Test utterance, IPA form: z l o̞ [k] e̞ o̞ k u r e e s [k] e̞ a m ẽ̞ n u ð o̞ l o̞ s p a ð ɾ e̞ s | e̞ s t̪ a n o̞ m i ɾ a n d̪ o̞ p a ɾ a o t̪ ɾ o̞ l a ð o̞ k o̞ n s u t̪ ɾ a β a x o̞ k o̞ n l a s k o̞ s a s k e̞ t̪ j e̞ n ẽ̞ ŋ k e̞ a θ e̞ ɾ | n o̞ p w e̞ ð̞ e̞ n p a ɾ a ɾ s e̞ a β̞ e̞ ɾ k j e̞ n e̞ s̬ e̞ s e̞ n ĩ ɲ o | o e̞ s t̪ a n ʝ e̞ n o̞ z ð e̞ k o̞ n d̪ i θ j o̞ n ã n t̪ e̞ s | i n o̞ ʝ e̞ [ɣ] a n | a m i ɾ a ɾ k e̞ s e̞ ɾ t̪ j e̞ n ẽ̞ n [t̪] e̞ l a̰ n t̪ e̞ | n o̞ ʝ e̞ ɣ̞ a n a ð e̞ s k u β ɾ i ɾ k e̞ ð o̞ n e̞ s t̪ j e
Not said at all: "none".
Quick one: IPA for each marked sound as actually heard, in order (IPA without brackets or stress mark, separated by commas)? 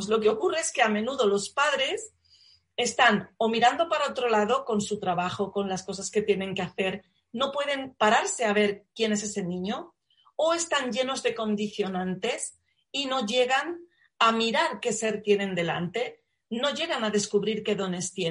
k, k, ɣ, d̪